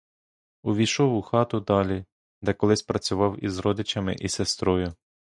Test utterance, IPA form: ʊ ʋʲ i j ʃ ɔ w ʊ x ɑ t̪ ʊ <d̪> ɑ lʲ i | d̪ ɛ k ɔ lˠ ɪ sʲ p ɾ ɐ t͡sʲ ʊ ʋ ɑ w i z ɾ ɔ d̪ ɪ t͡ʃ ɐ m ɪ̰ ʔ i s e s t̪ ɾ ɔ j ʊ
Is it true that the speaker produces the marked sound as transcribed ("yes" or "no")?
yes